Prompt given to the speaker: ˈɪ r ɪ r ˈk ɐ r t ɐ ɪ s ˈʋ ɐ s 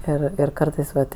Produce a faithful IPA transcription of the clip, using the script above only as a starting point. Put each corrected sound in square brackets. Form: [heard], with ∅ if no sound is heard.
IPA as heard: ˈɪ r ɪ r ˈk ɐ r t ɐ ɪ s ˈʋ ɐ [t]